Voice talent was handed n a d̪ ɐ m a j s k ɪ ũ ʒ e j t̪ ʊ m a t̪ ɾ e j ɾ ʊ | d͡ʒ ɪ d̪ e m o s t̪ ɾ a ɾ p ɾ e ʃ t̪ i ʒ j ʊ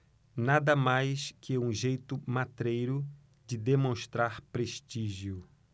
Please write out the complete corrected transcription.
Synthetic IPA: n a d̪ ɐ m a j s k ɪ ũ ʒ e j t̪ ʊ m a t̪ ɾ e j ɾ ʊ | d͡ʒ ɪ d̪ e m õ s t̪ ɾ a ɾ p ɾ e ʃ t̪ i ʒ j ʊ